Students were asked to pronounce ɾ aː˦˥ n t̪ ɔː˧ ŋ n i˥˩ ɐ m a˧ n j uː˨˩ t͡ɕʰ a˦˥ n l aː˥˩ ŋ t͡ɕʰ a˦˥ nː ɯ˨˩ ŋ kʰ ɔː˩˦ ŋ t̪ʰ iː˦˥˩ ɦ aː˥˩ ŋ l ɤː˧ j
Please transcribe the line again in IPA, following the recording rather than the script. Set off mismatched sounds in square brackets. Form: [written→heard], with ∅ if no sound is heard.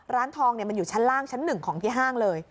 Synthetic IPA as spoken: ɾ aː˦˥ n [t̪→t̪ʰ] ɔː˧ ŋ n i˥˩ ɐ m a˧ n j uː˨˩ t͡ɕʰ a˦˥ n l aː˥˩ ŋ t͡ɕʰ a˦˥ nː ɯ˨˩ ŋ kʰ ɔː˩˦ ŋ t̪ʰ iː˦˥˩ ɦ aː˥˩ ŋ l ɤː˧ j

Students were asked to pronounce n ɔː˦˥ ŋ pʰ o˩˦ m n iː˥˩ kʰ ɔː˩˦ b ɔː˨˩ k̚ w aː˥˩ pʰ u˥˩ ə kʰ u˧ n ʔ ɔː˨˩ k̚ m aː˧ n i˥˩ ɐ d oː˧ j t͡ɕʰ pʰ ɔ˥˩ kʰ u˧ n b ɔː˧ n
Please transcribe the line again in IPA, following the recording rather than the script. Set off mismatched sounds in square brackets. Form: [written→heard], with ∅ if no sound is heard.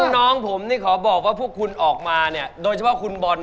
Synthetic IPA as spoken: n ɔː˦˥ ŋ pʰ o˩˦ m n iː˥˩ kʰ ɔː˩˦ b ɔː˨˩ k̚ w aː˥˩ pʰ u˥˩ ə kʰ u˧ n ʔ ɔː˨˩ k̚ m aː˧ n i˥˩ ɐ d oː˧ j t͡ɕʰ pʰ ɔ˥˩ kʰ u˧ n b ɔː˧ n

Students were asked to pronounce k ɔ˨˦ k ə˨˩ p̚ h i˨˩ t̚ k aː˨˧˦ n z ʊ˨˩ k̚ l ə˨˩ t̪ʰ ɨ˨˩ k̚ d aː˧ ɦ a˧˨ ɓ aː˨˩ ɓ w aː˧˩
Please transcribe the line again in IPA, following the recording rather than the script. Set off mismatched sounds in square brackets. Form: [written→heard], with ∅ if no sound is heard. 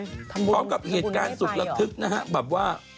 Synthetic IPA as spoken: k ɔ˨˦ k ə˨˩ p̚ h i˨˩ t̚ k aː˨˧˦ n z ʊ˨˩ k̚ l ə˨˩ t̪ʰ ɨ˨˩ k̚ [d→n] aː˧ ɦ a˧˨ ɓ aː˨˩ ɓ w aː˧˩

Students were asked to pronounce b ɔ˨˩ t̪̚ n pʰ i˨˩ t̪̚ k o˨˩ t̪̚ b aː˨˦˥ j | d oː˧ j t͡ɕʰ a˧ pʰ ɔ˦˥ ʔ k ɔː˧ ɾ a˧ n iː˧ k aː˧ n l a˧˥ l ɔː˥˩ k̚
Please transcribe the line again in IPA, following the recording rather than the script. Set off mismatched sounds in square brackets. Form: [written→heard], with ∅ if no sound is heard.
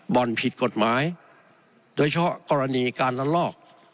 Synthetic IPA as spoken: b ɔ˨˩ [t̪̚→∅] n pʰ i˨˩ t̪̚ k o˨˩ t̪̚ [b→m] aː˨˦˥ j | d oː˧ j t͡ɕʰ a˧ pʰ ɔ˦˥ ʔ k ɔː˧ ɾ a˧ n iː˧ k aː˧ n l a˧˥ l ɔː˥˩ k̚

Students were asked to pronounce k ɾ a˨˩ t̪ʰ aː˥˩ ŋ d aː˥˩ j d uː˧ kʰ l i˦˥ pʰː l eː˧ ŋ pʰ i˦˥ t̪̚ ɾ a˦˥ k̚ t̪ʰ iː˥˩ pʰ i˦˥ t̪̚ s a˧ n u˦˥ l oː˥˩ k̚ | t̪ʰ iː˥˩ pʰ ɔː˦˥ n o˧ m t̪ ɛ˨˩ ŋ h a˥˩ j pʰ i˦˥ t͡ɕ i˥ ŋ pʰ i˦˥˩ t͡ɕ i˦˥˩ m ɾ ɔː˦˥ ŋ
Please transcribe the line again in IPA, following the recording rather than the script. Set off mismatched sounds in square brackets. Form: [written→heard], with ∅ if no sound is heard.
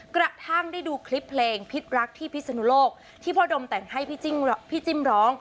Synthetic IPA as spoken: k ɾ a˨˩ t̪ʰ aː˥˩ ŋ d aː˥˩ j d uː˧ kʰ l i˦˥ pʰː l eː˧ ŋ pʰ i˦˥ t̪̚ ɾ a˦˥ k̚ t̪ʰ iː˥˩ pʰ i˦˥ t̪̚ s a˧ n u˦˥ l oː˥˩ k̚ | t̪ʰ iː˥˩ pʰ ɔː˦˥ [n→d] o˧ m t̪ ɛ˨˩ ŋ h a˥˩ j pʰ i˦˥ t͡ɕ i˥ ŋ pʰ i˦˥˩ t͡ɕ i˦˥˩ m ɾ ɔː˦˥ ŋ

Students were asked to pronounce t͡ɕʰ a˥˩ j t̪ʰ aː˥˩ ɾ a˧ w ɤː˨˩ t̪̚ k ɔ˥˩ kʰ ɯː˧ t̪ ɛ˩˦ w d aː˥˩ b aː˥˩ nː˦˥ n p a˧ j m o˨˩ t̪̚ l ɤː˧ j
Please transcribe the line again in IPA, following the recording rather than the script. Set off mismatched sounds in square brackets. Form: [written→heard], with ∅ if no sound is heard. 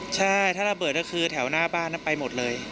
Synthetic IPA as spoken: t͡ɕʰ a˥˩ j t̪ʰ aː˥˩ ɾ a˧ [w→b] ɤː˨˩ t̪̚ k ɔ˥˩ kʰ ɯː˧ [t̪→t̪ʰ] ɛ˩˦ w [d→n] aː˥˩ b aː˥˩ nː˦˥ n p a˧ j m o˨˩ t̪̚ l ɤː˧ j

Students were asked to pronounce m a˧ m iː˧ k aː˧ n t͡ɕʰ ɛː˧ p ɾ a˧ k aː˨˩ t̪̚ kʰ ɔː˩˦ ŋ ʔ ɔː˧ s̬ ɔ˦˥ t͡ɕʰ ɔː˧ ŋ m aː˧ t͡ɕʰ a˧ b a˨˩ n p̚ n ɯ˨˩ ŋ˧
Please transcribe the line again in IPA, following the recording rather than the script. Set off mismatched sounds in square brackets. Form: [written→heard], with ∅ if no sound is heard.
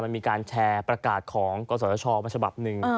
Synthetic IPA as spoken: m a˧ m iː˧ k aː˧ n t͡ɕʰ ɛː˧ p ɾ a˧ k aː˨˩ t̪̚ kʰ ɔː˩˦ ŋ [ʔ→k] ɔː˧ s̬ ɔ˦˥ t͡ɕʰ ɔː˧ [ŋ→∅] m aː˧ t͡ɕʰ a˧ b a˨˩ [n→∅] p̚ n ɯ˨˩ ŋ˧

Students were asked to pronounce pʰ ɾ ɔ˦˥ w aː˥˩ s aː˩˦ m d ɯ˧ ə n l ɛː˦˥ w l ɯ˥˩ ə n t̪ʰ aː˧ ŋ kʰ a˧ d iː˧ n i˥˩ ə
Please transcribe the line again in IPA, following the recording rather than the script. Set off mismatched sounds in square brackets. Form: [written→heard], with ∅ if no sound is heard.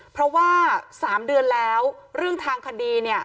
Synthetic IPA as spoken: pʰ ɾ ɔ˦˥ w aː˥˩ s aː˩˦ m d ɯ˧ ə n l ɛː˦˥ w [l→ɾ] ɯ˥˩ ə [n→ŋ] t̪ʰ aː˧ ŋ kʰ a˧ d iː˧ n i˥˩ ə

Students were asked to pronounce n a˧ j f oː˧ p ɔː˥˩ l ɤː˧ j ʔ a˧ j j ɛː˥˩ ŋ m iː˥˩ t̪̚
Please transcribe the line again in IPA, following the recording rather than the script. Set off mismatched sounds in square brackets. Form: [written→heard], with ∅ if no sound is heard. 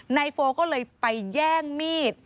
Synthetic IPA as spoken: n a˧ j f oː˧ [p→k] ɔː˥˩ l ɤː˧ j [ʔ→p] a˧ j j ɛː˥˩ ŋ m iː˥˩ t̪̚

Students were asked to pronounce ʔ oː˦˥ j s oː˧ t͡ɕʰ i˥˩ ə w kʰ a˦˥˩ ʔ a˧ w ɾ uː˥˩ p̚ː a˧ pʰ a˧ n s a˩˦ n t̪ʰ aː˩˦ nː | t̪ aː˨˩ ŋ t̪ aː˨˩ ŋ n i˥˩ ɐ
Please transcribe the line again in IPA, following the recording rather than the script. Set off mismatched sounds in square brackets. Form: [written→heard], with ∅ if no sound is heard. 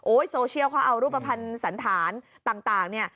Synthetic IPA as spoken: ʔ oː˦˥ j s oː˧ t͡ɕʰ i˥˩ ə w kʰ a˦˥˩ ʔ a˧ w ɾ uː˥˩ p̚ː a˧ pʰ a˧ n s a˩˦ n t̪ʰ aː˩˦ [nː→n] | t̪ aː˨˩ ŋ t̪ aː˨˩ ŋ n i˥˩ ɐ

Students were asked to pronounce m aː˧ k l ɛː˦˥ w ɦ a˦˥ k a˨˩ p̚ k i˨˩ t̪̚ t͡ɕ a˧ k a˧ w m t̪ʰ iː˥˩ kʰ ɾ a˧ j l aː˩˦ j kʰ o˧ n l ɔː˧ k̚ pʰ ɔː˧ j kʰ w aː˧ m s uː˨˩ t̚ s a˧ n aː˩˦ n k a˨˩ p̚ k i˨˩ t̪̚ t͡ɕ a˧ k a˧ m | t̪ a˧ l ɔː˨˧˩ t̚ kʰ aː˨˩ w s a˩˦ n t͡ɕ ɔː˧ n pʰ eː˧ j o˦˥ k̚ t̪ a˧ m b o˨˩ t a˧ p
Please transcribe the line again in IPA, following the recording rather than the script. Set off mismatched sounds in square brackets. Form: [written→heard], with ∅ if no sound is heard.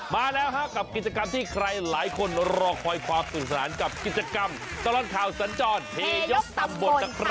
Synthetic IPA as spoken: m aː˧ [k→∅] l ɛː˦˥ w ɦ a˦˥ k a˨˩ p̚ k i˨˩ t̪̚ t͡ɕ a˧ k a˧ [w→∅] m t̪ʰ iː˥˩ kʰ ɾ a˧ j l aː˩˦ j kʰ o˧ n [l→ɾ] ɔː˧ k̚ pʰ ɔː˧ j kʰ w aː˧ m s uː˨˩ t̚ s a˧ n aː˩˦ n k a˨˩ p̚ k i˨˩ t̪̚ t͡ɕ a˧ k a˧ m | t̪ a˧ l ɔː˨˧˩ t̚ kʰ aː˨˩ w s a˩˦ n t͡ɕ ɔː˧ n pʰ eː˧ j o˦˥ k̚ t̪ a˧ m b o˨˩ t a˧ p

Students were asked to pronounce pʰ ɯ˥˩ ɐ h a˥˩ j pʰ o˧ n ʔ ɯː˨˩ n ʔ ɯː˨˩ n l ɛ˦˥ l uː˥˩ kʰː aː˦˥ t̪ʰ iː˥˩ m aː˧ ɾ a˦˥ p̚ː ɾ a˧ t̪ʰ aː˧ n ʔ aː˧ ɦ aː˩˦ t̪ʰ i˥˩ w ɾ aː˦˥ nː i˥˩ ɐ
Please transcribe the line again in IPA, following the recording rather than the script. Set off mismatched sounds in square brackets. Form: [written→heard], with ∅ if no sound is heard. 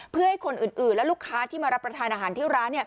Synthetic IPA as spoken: pʰ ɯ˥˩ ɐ h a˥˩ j [pʰ→kʰ] o˧ n ʔ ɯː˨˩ n ʔ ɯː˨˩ n l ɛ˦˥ l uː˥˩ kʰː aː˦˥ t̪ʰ iː˥˩ m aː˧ ɾ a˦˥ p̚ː ɾ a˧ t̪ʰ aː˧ n ʔ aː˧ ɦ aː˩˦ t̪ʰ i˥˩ w ɾ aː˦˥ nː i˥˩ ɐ

